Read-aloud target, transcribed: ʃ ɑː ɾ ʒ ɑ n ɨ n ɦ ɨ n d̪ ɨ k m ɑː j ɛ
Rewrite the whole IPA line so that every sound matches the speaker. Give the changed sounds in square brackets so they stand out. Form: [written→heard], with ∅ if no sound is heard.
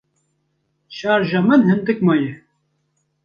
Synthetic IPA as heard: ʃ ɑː ɾ ʒ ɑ [n→m] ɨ n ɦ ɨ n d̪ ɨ k m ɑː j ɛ